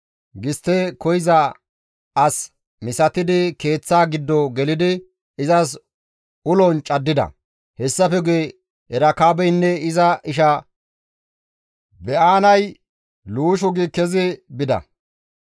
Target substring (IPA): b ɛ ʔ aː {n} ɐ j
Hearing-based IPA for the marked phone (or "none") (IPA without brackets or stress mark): n